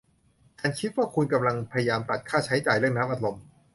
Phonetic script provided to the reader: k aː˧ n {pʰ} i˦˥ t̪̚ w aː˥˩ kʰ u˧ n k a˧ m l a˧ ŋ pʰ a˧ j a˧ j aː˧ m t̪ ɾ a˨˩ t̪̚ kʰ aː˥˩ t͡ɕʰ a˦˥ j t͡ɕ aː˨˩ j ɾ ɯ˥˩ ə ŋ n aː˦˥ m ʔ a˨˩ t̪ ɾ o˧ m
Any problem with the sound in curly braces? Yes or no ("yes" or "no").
yes